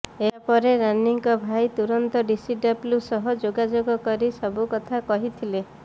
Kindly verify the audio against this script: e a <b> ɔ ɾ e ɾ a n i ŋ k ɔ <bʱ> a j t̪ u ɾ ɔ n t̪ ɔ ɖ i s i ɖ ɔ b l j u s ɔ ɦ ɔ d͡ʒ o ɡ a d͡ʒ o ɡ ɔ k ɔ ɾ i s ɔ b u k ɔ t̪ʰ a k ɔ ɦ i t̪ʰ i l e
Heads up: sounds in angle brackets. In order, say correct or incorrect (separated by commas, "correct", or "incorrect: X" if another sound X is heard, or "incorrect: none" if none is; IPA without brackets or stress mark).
incorrect: p, correct